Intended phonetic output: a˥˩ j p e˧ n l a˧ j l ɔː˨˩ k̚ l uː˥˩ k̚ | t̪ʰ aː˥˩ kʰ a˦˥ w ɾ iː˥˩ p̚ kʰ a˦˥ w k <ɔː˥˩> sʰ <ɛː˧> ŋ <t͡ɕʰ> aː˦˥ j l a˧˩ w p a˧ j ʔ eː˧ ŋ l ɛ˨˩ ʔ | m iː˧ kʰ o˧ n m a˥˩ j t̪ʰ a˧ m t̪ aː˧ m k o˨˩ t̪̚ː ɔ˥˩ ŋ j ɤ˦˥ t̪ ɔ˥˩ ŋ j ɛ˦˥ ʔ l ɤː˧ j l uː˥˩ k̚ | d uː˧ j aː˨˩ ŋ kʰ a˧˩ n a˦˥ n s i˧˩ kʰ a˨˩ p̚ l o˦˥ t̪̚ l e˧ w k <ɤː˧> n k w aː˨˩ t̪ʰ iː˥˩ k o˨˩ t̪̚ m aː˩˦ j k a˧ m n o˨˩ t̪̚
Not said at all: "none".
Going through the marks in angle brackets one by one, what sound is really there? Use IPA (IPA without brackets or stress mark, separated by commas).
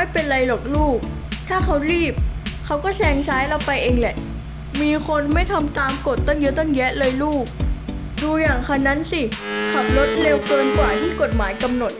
ɔː˥˩, ɛː˧, t͡ɕʰ, ɤː˧